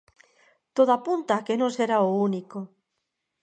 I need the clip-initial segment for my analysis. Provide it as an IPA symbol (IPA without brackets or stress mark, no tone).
t̪